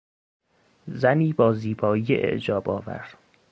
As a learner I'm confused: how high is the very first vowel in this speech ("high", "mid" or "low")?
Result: low